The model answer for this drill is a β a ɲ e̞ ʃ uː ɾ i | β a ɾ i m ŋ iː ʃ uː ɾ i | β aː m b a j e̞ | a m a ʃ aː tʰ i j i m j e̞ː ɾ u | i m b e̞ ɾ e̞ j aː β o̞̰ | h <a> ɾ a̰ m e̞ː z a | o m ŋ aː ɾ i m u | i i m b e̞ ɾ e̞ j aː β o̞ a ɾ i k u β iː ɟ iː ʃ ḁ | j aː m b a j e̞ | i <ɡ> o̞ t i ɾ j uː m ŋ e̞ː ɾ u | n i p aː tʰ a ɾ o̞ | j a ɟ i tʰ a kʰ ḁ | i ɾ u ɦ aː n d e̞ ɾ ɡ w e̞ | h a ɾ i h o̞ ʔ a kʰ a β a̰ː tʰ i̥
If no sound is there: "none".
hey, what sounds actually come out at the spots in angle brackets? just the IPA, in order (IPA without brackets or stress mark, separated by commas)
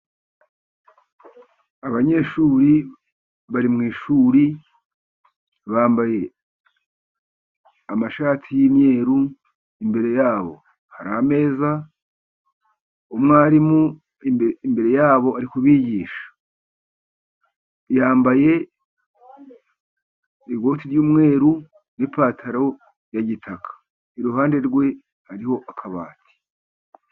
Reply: a, ɡ